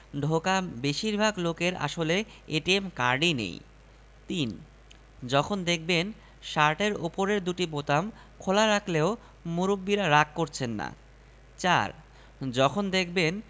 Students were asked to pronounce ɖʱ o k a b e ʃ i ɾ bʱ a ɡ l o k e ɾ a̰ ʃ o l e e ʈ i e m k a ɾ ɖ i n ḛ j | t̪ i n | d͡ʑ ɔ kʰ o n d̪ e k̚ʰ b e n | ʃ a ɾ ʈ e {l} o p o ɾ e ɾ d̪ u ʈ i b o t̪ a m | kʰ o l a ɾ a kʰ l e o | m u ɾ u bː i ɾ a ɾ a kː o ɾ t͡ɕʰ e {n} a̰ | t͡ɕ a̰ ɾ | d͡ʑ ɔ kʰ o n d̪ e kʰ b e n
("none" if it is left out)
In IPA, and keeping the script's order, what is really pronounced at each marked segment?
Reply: ɾ, nː

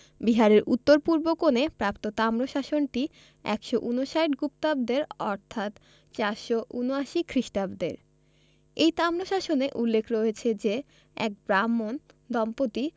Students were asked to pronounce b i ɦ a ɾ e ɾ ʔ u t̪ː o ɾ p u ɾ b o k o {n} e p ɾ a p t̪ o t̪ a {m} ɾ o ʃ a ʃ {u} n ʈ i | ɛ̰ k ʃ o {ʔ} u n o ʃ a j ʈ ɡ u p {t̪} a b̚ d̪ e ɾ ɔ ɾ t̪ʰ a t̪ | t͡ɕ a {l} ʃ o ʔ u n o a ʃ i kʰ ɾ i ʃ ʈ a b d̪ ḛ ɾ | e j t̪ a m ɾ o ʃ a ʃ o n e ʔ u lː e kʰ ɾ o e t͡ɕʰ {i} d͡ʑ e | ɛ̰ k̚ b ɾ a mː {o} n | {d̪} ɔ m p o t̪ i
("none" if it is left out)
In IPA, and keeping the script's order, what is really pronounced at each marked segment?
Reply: n, m, o, ʔ, t̪, ɾ, e, o, d̪

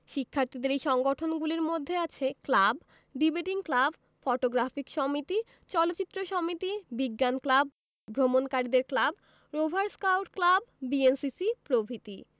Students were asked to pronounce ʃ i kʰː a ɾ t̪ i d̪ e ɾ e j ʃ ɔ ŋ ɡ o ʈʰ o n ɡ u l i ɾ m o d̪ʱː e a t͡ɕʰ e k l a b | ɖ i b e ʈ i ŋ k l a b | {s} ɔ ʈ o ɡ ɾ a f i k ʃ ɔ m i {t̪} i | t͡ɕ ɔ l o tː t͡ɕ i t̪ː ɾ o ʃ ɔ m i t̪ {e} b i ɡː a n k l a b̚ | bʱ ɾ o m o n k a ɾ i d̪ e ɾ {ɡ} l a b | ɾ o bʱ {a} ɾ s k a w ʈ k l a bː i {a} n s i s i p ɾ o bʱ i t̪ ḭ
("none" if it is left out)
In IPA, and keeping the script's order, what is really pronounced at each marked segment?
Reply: f, t̪, i, k, a, e

